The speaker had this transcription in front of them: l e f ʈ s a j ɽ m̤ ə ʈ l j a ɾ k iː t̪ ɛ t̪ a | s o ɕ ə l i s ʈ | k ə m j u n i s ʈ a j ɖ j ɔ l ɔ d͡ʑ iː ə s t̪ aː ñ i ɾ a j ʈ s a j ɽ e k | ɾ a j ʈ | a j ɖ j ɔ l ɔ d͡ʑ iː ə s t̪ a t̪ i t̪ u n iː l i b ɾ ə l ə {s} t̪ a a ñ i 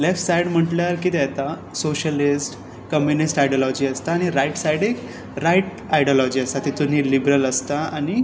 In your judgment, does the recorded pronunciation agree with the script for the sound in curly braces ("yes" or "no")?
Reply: yes